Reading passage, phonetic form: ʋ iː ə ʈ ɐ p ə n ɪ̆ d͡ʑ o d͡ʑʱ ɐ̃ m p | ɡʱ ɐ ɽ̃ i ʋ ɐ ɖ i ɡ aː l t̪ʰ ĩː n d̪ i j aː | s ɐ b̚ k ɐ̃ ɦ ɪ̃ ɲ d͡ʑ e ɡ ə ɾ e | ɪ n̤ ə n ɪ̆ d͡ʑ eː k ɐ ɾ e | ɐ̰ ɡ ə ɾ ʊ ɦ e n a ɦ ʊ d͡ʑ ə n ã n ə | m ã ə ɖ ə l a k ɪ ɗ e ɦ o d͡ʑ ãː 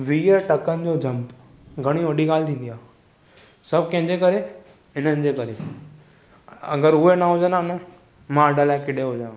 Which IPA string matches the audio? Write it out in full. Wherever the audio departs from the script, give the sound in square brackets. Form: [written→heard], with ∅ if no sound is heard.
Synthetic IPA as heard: ʋ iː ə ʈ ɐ [p→k] ə n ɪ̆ d͡ʑ o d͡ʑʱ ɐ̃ m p | ɡʱ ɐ ɽ̃ i ʋ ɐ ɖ i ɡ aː l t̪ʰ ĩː n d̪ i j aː | s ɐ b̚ k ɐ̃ ɦ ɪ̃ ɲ d͡ʑ e [ɡ→k] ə ɾ e | ɪ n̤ ə n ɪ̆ d͡ʑ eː k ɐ ɾ e | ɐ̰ ɡ ə ɾ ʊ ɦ e n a ɦ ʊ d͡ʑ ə n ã n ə | m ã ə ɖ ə l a k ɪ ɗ e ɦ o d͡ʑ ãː